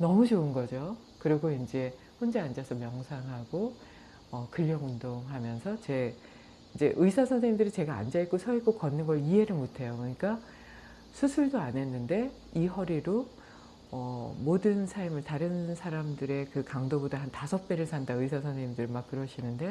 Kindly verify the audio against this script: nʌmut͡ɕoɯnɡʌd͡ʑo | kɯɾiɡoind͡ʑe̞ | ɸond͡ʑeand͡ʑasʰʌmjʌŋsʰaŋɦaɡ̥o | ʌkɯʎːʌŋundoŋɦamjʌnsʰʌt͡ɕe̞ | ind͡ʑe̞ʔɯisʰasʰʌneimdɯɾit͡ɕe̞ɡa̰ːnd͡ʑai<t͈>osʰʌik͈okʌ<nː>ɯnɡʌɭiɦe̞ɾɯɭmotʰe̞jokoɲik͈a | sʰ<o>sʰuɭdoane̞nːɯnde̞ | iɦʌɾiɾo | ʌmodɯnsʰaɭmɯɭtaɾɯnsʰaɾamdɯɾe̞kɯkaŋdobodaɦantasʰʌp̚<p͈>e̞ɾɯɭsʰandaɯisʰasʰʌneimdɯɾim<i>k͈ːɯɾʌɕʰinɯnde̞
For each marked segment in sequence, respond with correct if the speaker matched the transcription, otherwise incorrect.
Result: incorrect: k͈, correct, incorrect: u, correct, incorrect: a

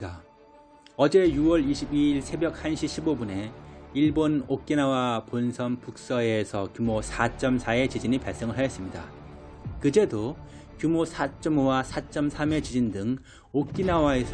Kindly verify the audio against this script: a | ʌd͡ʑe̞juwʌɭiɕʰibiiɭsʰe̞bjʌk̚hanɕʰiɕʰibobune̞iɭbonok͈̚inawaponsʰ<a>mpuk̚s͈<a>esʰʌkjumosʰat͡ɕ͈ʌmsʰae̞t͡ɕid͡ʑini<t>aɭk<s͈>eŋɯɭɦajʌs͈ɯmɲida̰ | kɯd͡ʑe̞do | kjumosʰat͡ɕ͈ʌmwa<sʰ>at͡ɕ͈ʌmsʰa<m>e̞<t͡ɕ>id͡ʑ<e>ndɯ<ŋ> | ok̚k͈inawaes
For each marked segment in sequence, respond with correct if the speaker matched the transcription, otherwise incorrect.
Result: incorrect: ʌ, incorrect: ʌ, incorrect: p, correct, correct, correct, correct, incorrect: i, correct

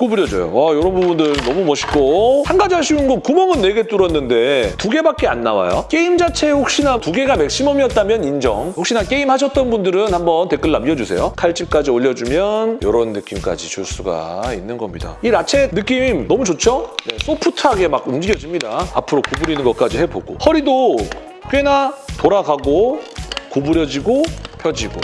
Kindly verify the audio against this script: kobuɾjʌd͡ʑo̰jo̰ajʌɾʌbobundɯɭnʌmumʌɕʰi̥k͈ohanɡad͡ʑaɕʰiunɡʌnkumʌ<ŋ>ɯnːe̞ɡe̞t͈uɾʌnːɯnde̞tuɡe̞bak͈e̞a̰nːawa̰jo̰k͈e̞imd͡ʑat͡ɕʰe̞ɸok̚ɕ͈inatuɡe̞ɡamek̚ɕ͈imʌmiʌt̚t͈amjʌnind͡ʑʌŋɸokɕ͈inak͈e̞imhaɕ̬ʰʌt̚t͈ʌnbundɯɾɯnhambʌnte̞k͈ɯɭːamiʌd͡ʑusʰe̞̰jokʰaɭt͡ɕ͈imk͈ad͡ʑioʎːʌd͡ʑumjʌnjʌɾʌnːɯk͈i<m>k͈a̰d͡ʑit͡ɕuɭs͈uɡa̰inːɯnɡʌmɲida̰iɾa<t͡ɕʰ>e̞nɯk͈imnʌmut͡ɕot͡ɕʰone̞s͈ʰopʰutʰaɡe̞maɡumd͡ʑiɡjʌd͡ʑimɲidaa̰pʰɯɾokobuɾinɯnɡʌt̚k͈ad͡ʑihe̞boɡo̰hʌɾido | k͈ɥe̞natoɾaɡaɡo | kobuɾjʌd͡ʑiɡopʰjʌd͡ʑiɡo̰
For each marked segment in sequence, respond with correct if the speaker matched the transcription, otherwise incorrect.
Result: correct, correct, correct

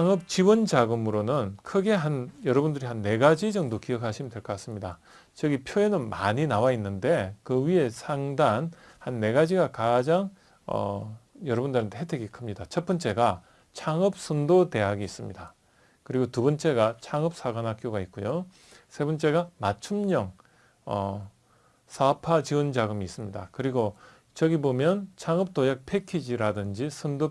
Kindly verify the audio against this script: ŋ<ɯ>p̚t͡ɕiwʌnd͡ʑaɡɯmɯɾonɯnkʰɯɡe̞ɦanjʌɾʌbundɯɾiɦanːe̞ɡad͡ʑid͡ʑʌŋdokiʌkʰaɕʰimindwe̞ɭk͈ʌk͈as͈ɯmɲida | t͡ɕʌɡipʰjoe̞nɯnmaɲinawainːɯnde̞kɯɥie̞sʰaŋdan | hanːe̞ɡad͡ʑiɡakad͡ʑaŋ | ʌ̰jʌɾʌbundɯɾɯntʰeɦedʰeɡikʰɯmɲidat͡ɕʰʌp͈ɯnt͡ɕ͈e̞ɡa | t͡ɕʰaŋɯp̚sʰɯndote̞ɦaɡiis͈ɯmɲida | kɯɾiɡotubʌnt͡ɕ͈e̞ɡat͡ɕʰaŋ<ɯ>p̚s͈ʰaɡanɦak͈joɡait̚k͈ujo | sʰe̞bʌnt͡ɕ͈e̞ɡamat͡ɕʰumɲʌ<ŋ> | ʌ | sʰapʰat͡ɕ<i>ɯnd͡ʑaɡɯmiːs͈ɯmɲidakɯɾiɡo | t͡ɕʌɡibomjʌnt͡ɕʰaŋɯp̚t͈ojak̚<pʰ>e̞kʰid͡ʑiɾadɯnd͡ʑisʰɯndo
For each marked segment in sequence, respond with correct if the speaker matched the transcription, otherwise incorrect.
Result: correct, correct, correct, correct, correct

